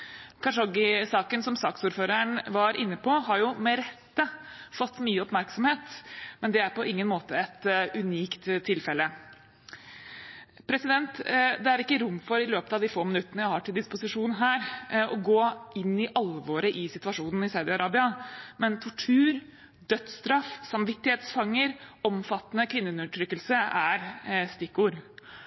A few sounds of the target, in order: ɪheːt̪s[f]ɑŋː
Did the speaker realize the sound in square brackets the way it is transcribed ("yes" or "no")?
yes